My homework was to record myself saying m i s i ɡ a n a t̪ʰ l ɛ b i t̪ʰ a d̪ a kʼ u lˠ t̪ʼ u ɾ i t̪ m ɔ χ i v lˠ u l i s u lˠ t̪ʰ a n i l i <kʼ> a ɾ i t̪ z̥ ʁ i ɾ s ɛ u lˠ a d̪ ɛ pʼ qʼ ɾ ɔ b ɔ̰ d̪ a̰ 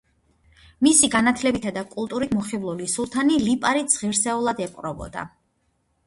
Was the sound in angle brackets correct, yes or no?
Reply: no